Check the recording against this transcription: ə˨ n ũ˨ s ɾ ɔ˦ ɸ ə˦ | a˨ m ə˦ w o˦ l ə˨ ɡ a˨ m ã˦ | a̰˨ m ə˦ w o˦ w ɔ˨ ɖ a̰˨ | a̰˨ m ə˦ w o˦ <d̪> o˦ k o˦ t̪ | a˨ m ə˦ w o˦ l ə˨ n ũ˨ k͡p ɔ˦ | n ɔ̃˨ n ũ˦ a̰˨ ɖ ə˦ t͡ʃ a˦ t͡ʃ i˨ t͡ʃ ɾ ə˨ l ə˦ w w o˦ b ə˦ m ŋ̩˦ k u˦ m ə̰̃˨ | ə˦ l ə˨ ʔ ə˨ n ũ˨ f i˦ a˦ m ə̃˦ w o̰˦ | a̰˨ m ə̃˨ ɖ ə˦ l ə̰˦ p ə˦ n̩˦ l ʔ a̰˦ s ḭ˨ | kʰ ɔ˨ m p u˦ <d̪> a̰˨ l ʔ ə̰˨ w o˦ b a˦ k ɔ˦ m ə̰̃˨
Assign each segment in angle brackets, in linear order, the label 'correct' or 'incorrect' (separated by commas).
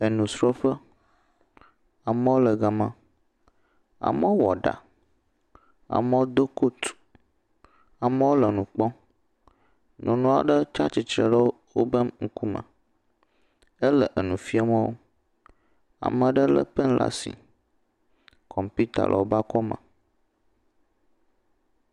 correct, incorrect